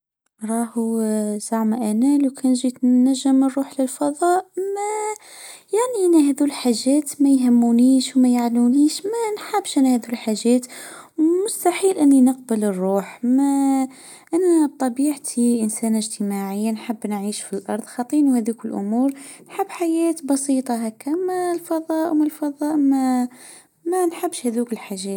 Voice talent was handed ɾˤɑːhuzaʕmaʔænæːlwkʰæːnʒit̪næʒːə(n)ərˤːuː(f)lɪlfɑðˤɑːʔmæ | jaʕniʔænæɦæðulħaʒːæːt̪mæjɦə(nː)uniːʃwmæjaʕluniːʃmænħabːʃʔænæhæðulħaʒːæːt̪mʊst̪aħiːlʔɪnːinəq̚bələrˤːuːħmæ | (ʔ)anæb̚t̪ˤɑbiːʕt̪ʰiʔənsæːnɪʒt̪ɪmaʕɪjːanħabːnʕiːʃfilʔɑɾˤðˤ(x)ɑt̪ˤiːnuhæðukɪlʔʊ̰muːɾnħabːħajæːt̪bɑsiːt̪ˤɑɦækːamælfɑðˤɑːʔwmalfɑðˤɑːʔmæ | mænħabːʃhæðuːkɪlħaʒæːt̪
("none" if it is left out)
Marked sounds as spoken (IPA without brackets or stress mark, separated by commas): m, ħ, mː, ʔ, x